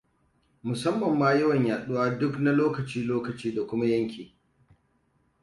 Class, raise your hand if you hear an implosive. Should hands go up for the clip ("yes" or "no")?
yes